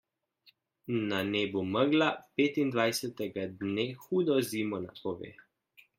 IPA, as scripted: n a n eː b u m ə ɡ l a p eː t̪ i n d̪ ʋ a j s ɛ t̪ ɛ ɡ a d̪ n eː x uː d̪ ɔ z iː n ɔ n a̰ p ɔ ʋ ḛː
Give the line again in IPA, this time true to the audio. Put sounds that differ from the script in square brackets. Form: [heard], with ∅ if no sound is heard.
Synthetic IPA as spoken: n a n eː b u m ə ɡ l a p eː t̪ i n d̪ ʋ a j s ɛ t̪ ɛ ɡ a d̪ n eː x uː d̪ ɔ z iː [m] ɔ n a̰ p ɔ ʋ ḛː